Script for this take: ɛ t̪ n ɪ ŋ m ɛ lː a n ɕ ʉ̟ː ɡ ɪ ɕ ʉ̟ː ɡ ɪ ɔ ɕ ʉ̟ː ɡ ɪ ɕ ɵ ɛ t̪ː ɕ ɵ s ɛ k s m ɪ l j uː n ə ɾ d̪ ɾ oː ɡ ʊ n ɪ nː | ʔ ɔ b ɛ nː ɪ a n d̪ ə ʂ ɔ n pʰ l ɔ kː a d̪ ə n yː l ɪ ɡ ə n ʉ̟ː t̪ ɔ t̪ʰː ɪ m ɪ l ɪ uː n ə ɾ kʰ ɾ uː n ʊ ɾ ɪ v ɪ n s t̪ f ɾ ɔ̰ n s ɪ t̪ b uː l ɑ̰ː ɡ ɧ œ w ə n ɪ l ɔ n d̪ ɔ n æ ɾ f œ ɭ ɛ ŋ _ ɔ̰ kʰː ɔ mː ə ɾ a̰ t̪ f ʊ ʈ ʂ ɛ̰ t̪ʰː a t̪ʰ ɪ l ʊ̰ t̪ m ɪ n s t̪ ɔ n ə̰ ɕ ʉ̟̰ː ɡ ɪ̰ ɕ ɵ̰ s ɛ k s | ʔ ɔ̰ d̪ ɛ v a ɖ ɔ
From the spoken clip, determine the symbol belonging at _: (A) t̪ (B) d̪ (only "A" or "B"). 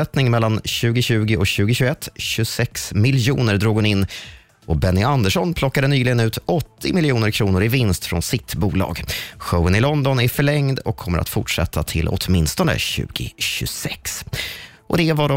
B